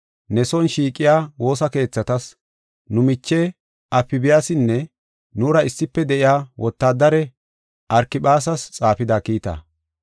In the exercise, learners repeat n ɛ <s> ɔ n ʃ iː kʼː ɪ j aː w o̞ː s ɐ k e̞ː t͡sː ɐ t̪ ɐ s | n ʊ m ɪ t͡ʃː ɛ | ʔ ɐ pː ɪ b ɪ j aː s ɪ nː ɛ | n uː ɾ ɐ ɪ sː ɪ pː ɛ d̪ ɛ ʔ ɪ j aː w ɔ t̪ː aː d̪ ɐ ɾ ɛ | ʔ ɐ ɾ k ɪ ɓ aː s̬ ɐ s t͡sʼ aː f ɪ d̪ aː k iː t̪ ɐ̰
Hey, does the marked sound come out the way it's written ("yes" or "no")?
yes